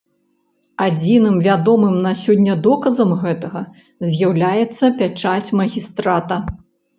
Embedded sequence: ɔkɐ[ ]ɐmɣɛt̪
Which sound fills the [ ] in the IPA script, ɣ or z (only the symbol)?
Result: z